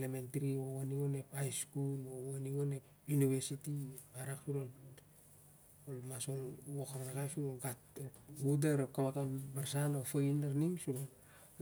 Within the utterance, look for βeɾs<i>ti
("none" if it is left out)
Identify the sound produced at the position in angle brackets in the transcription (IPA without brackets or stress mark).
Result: i